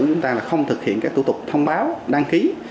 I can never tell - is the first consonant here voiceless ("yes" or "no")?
yes